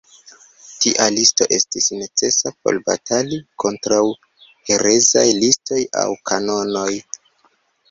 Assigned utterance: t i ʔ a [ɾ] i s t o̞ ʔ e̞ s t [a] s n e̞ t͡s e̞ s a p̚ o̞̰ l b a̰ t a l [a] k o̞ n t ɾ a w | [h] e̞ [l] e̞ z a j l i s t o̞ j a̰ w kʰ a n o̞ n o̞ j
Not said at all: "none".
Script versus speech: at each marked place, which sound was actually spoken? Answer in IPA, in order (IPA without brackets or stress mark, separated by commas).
l, i, i, h, ɾ